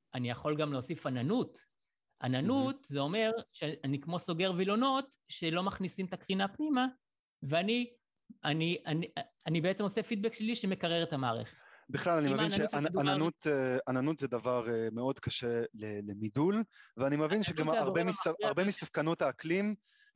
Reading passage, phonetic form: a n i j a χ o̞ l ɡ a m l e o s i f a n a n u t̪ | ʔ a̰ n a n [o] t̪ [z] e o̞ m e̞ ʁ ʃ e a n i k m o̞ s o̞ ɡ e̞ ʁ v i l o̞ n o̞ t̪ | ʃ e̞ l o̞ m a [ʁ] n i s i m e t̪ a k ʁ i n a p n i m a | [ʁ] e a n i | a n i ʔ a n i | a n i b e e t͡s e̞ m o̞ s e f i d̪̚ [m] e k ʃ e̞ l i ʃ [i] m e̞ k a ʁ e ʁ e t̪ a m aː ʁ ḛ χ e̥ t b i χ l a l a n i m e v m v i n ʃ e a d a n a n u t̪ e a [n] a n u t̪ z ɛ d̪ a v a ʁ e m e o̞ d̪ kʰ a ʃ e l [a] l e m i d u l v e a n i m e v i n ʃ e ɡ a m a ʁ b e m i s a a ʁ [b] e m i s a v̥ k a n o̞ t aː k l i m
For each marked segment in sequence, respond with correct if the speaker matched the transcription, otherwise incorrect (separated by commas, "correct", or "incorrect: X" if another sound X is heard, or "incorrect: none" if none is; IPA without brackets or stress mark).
incorrect: u, correct, incorrect: χ, incorrect: v, incorrect: b, incorrect: e, correct, incorrect: e, correct